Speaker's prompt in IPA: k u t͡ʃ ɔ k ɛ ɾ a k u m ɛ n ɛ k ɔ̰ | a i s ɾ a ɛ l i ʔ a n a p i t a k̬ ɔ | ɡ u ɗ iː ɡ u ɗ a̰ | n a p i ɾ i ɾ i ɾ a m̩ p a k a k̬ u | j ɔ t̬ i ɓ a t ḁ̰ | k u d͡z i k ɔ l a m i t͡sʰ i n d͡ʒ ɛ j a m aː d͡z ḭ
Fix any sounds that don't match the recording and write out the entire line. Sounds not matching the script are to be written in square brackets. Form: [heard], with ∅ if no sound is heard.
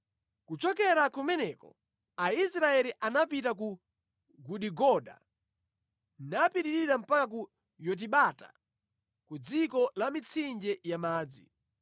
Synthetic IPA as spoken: k u t͡ʃ ɔ k ɛ ɾ a k u m ɛ n ɛ k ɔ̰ | a i s ɾ a ɛ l i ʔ a n a p i t a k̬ [u] | ɡ u ɗ [i] ɡ [ɔ] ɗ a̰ | n a p i ɾ i ɾ i ɾ a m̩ p a k a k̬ u | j ɔ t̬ i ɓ a t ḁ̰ | k u d͡z i k ɔ l a m i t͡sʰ i n d͡ʒ ɛ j a m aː d͡z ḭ